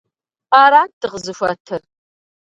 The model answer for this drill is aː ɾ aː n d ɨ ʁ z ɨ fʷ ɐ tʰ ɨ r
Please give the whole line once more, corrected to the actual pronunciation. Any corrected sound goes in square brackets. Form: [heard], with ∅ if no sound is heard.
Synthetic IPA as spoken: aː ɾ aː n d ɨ ʁ z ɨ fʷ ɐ tʰ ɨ r

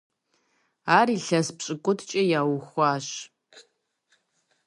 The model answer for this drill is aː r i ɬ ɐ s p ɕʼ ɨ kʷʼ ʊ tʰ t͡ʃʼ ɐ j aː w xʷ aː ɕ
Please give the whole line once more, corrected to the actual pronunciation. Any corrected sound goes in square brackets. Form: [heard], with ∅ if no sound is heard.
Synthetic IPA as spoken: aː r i ɬ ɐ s p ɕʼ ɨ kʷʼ ʊ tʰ t͡ʃʼ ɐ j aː w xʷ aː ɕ

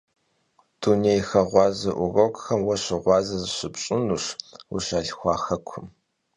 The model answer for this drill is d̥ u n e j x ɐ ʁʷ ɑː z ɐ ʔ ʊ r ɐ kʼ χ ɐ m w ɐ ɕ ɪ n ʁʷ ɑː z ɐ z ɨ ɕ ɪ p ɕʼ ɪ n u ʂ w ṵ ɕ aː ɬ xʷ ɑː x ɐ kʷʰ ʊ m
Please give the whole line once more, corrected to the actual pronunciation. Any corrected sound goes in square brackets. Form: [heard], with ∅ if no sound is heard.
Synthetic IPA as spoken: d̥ u n e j x ɐ ʁʷ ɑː z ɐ ʔ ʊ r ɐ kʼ [x] ɐ m w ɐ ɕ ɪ [∅] ʁʷ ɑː z ɐ z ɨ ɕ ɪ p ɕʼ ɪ n u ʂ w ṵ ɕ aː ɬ xʷ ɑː x ɐ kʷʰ ʊ m

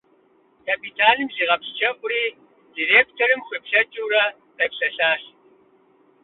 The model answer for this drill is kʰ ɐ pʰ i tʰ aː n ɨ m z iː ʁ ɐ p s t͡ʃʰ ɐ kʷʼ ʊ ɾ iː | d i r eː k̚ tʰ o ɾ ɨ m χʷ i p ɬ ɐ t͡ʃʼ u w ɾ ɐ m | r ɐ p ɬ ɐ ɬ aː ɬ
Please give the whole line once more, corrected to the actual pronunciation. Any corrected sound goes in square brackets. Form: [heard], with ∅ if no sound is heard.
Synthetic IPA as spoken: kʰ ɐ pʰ i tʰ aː n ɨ m z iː ʁ ɐ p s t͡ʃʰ ɐ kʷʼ ʊ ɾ iː | d i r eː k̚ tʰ o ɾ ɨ m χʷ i p ɬ ɐ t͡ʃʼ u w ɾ ɐ [∅] | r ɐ p ɬ ɐ ɬ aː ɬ

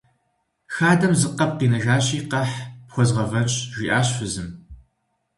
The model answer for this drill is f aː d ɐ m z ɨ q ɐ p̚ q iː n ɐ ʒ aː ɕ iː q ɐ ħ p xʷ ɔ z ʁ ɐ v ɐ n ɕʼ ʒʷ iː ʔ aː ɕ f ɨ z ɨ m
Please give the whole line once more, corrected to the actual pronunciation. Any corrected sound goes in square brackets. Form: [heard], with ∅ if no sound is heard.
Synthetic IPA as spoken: [x] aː d ɐ m z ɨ q ɐ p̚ q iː n ɐ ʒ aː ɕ iː q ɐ ħ p xʷ ɔ z ʁ ɐ v ɐ n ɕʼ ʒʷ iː ʔ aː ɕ f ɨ z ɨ m

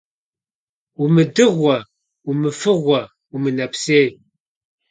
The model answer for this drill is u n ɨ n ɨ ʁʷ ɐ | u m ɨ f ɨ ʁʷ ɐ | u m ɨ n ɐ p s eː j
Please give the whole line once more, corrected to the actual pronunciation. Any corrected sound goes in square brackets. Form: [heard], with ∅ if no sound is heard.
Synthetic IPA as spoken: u [m] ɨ [d] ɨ ʁʷ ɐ | u m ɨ f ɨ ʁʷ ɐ | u m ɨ n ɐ p s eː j

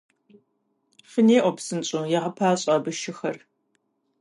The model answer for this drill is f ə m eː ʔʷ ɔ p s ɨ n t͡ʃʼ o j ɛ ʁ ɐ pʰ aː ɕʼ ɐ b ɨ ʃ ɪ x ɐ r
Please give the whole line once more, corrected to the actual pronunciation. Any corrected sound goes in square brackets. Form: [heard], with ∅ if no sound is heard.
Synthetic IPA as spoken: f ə [n] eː ʔʷ ɔ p s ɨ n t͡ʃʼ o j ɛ ʁ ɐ pʰ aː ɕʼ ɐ b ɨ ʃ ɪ x ɐ r

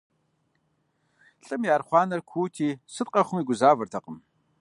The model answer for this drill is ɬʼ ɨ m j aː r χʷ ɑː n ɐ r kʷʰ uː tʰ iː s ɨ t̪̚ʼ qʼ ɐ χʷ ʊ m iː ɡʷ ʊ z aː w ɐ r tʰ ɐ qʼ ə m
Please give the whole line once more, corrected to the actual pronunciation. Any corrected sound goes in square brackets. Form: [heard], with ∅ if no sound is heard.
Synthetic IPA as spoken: ɬʼ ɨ m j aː r χʷ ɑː n ɐ r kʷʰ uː tʰ iː s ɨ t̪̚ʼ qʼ ɐ χʷ ʊ m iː ɡʷ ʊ z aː [v] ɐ r tʰ ɐ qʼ ə m

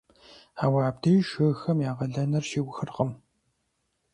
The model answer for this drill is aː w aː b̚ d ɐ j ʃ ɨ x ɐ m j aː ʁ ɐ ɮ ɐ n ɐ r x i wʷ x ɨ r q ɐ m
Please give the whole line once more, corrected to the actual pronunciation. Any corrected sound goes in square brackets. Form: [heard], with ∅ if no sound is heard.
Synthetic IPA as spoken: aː w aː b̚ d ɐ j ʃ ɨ x ɐ m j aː ʁ ɐ ɮ ɐ n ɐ r [ʃ] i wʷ x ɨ r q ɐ m

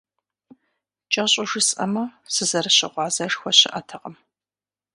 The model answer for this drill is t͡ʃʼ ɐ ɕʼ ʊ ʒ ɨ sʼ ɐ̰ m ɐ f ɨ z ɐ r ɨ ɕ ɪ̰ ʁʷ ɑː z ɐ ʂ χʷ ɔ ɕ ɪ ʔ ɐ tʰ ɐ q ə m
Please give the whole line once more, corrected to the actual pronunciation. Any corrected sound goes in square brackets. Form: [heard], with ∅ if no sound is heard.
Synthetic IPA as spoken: t͡ʃʼ ɐ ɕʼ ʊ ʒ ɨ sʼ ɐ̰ m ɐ [s] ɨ z ɐ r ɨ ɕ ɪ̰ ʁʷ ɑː z ɐ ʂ [xʷ] ɔ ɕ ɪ ʔ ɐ tʰ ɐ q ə m

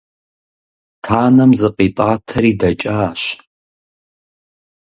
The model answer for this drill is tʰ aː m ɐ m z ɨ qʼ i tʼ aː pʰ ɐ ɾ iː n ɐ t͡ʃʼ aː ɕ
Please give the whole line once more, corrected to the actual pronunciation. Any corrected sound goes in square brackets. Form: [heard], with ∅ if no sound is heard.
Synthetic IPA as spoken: tʰ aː [n] ɐ m z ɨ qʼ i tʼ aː [tʰ] ɐ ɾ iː [d] ɐ t͡ʃʼ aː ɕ

